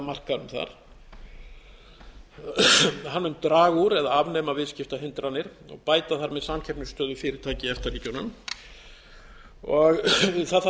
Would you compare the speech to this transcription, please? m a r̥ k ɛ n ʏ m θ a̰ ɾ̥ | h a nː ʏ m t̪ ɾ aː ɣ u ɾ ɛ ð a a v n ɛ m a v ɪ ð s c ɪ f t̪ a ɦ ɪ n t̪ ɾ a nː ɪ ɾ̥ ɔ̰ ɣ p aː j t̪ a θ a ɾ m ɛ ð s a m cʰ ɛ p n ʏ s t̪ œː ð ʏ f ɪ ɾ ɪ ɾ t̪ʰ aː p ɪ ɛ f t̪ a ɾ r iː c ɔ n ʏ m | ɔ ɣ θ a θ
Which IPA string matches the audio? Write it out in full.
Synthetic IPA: m a r̥ k a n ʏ m θ a̰ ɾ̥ | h a nː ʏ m t̪ ɾ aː ɣ u ɾ ɛ ð a a v n ɛ m a v ɪ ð s c ɪ f t̪ a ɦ ɪ n t̪ ɾ a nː ɪ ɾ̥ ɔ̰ ɣ p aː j t̪ a θ a ɾ m ɛ ð s a m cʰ ɛ p n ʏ s t̪ œː ð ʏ f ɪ ɾ ɪ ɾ t̪ʰ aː c ɪ ɛ f t̪ a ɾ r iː c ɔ n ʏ m | ɔ ɣ θ a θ